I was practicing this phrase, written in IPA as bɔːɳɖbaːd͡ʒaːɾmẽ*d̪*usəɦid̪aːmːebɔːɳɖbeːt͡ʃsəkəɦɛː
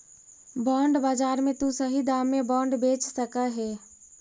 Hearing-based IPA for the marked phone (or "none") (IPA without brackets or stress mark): t̪